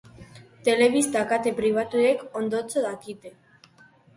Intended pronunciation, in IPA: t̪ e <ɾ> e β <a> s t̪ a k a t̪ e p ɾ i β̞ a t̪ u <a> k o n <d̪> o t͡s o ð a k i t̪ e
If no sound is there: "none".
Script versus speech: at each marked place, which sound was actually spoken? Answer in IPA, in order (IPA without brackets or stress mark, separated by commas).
l, i, e, d̪